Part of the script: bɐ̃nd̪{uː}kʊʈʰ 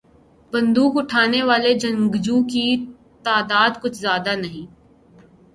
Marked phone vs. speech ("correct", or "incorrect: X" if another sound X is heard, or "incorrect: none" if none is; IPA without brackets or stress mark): correct